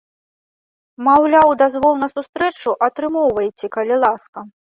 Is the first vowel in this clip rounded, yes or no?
no